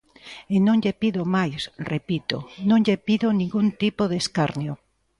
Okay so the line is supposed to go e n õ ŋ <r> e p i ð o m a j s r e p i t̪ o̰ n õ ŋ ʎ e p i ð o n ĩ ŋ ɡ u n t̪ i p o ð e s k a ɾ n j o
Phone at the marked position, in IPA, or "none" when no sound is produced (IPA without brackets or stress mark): ʎ